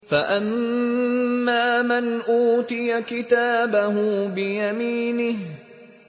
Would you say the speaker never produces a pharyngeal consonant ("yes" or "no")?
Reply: yes